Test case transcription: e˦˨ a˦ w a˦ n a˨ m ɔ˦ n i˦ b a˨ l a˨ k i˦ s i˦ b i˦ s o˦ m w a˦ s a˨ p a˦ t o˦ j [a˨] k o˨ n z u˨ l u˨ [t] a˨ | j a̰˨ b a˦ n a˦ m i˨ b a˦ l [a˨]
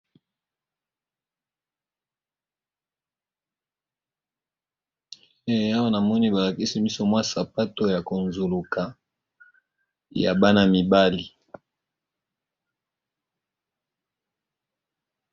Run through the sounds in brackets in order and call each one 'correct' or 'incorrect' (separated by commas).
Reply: correct, incorrect, incorrect